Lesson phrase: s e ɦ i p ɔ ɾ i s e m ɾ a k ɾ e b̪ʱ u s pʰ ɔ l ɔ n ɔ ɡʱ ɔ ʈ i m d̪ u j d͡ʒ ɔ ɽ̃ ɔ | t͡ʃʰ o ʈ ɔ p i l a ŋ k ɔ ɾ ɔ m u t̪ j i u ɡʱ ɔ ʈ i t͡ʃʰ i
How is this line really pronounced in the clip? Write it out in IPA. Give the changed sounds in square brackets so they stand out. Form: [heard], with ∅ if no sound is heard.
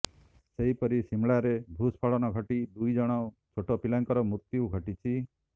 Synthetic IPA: s e ɦ i p ɔ ɾ i s [i] m [ɭ] a [∅] ɾ e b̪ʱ u s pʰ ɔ [ɭ] ɔ n ɔ ɡʱ ɔ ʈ i [∅] d̪ u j d͡ʒ ɔ ɽ̃ ɔ | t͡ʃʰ o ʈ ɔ p i l a ŋ k ɔ ɾ ɔ m u t̪ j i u ɡʱ ɔ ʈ i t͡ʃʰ i